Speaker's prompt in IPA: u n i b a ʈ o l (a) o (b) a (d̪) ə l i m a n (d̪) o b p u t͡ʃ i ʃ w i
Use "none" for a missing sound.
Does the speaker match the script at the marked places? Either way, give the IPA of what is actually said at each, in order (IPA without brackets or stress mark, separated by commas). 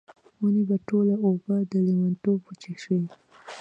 a, b, d̪, t̪